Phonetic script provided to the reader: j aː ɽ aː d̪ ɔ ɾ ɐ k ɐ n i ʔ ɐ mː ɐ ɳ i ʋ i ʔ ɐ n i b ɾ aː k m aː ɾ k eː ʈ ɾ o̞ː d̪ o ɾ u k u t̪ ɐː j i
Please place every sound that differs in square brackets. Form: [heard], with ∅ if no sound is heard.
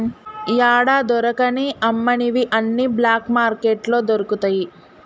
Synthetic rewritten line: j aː ɽ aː d̪ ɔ ɾ ɐ k ɐ n i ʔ ɐ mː ɐ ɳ i ʋ i ʔ ɐ [nː] i b [l] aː k m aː ɾ k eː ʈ [l] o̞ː d̪ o ɾ u k u t̪ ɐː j i

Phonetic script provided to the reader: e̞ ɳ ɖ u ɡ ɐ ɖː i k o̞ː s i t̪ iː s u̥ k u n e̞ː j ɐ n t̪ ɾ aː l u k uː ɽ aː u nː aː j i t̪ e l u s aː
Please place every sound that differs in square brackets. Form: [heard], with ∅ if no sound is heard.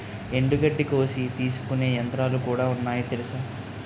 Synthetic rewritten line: e̞ ɳ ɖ u ɡ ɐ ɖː i k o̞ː s i t̪ iː s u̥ k u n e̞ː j ɐ n t̪ ɾ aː l u k uː ɽ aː u nː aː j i t̪ e l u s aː

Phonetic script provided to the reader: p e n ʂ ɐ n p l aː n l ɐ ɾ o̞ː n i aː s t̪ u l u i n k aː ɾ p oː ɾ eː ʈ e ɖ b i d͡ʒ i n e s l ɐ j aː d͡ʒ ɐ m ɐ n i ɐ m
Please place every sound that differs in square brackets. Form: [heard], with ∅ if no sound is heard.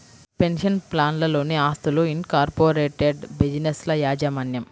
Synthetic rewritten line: p e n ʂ ɐ n p l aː n l ɐ [l] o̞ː n i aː s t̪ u l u i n k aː ɾ p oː ɾ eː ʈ e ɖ b i d͡ʒ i n e s l ɐ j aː d͡ʒ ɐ m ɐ n [j] ɐ m

